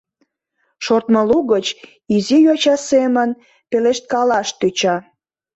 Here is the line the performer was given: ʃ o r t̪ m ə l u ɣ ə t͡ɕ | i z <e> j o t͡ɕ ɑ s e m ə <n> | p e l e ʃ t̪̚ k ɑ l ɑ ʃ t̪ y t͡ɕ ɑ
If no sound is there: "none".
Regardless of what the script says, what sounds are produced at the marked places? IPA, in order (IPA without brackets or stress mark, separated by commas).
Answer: i, n